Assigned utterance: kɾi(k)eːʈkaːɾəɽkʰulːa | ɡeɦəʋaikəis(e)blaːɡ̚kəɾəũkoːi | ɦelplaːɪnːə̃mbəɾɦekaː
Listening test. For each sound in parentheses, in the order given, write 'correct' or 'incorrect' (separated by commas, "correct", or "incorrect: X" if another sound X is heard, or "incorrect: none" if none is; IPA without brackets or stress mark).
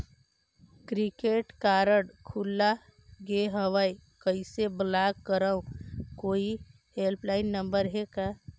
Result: correct, correct